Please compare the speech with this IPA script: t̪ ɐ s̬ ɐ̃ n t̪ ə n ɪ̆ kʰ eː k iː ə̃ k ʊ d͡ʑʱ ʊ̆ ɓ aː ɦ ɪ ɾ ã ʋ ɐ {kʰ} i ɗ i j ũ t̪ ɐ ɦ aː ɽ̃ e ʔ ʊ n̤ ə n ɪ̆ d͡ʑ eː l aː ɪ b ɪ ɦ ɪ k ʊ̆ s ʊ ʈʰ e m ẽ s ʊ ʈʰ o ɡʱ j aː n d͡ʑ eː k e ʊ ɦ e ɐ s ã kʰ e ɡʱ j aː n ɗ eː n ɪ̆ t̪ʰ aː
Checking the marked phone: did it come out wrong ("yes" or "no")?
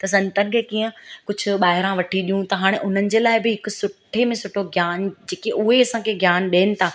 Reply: yes